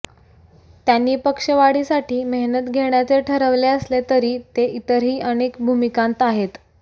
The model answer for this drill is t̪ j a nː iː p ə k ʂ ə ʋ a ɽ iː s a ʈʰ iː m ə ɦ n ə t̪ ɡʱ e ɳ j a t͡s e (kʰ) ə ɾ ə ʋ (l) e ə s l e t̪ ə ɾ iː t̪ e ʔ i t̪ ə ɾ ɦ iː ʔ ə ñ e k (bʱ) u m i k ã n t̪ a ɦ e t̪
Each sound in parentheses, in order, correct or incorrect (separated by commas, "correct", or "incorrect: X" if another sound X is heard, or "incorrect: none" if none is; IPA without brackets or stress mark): incorrect: ʈʰ, correct, correct